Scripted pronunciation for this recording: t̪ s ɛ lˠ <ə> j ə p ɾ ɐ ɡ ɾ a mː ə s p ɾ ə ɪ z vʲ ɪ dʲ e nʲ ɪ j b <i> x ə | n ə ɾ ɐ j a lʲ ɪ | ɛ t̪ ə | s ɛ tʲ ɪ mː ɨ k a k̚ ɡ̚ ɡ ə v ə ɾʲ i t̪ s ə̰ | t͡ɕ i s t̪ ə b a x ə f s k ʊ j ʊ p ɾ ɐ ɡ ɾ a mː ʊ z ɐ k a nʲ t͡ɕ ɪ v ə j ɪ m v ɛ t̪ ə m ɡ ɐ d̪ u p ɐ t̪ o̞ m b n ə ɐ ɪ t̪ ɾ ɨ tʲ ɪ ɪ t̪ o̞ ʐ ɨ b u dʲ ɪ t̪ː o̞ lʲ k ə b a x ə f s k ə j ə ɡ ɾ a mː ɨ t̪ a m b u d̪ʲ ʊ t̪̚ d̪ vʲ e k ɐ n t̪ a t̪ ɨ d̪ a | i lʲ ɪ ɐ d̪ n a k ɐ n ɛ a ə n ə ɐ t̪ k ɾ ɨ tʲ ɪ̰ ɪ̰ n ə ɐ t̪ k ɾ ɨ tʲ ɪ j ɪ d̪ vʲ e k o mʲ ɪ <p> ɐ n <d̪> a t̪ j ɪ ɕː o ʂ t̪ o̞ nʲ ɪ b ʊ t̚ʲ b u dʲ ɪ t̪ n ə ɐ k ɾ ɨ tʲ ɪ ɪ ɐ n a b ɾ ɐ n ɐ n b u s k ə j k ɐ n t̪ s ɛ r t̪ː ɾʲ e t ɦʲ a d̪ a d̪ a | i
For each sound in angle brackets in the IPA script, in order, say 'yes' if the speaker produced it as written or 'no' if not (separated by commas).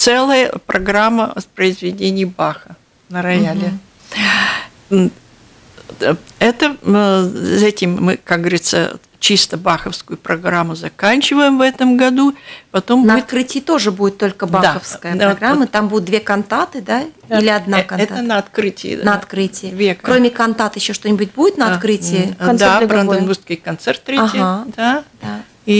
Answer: yes, no, no, no